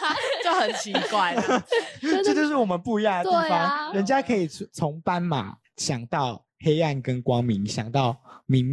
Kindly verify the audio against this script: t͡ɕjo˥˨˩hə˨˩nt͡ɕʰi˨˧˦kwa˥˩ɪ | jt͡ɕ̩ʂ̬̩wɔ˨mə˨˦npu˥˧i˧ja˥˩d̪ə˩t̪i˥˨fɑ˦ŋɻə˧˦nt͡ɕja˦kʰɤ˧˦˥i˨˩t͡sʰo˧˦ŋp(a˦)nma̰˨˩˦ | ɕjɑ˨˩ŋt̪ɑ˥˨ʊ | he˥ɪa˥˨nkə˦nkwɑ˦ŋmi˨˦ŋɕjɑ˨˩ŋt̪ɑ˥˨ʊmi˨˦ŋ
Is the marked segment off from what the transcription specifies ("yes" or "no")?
no